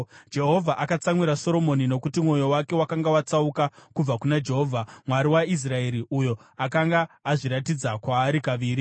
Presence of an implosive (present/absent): absent